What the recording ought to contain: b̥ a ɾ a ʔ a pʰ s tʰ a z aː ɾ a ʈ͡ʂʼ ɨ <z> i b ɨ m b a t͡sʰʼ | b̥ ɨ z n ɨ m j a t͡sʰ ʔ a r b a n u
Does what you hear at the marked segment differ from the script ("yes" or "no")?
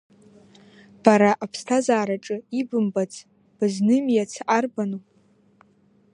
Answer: yes